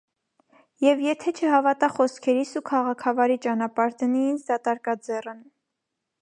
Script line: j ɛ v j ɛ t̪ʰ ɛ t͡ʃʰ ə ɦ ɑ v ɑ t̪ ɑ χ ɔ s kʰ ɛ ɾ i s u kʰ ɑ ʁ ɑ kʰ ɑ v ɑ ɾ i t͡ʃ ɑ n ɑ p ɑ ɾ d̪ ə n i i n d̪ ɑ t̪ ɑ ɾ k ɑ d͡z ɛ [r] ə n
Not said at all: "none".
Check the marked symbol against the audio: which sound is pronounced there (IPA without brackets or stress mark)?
r